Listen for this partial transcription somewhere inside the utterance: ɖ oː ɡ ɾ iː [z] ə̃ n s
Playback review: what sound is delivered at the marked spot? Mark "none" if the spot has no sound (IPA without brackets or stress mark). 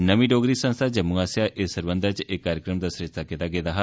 s